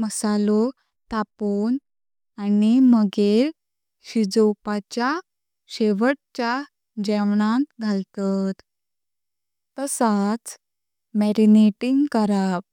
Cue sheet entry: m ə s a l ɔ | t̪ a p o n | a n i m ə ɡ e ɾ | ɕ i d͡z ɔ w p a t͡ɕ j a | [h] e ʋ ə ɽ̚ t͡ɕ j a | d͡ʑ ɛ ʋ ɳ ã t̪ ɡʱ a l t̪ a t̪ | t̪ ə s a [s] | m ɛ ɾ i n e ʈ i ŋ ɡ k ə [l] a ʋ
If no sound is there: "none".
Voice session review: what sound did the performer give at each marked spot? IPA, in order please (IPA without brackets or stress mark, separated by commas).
ɕ, t͡s, ɾ